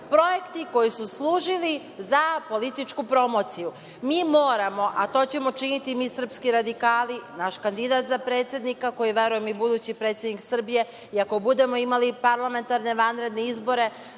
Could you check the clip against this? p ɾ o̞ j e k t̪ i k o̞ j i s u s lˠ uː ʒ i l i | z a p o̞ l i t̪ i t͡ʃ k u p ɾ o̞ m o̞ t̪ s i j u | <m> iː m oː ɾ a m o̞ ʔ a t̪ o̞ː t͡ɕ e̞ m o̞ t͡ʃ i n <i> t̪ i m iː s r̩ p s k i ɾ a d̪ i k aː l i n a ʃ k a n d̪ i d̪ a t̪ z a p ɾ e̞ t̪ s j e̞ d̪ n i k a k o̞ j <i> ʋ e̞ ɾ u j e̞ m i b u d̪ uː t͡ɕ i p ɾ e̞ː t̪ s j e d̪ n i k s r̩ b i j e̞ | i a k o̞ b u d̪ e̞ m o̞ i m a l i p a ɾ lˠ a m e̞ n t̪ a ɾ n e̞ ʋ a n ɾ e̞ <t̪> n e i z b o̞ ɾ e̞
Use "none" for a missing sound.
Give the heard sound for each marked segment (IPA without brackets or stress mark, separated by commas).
m, i, i, d̪